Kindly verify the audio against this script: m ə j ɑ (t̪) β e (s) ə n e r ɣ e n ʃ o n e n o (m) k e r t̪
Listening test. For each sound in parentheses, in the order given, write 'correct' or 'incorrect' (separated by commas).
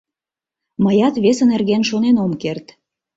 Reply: correct, correct, correct